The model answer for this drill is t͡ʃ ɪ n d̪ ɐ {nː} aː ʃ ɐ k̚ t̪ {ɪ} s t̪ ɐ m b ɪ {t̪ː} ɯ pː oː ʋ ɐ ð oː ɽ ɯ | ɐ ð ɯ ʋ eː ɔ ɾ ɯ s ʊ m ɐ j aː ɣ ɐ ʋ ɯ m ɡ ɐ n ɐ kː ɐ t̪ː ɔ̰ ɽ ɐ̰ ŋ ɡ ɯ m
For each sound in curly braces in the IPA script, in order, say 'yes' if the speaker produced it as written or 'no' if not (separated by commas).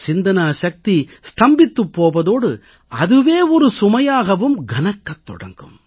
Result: no, no, yes